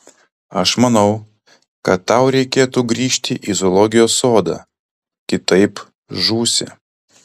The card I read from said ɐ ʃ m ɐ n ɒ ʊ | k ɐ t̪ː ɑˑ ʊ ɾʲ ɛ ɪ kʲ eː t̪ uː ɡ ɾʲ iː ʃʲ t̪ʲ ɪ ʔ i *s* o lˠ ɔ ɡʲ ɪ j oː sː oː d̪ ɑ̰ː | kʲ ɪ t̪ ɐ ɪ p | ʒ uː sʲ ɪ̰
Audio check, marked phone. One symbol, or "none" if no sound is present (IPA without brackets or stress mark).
z